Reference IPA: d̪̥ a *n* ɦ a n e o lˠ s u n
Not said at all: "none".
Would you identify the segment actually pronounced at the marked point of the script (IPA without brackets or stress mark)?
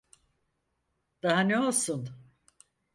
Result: none